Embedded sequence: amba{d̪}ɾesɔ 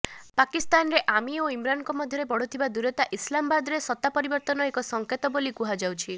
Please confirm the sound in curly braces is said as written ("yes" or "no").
yes